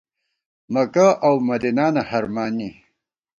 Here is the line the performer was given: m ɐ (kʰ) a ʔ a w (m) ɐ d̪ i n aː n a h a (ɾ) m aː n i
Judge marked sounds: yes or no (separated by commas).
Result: no, yes, yes